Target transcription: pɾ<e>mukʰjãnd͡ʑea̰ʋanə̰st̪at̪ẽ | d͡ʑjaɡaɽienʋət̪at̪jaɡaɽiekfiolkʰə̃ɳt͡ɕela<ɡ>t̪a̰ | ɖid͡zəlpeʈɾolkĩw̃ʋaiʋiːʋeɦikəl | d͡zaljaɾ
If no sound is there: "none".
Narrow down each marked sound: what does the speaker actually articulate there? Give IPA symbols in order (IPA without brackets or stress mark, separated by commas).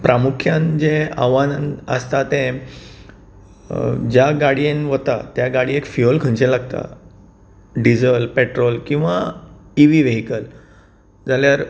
a, ɡ